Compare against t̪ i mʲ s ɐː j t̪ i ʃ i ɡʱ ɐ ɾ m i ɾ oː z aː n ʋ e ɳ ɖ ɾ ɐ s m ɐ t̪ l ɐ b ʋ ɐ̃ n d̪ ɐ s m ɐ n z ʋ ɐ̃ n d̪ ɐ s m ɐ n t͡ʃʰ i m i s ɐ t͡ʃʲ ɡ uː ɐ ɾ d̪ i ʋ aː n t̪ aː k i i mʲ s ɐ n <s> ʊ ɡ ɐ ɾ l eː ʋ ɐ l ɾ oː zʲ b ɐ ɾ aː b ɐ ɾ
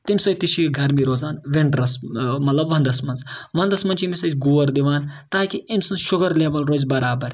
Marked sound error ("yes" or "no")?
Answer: yes